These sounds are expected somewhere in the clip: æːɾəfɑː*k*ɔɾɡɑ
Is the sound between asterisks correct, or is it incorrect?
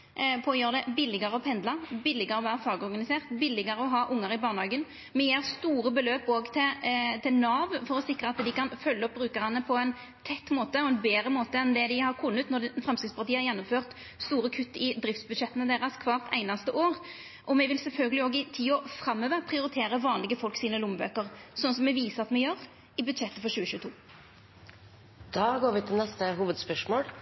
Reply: incorrect